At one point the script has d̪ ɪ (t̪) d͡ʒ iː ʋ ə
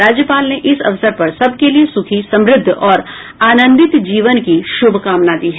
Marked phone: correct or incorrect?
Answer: correct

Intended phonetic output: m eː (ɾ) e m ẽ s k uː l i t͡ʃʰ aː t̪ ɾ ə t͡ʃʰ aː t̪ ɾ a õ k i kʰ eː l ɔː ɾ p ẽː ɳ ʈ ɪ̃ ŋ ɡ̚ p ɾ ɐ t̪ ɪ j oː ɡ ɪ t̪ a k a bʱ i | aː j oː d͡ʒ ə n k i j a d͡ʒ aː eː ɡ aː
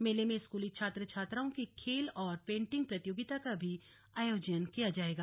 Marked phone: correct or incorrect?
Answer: incorrect: l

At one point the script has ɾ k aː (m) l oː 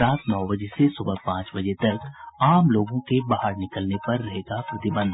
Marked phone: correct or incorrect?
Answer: correct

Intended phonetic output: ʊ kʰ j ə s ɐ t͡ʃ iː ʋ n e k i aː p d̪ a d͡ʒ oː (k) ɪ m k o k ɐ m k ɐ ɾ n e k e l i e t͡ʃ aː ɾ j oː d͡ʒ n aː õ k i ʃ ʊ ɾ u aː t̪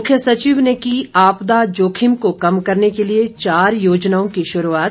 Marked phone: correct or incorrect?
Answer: incorrect: kʰ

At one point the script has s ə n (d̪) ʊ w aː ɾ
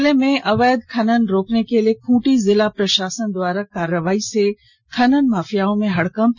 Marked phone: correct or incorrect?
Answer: correct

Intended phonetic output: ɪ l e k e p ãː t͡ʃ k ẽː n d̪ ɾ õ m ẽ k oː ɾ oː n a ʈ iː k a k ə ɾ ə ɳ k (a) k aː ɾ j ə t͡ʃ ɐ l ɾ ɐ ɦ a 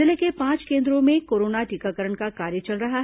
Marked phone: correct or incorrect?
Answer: correct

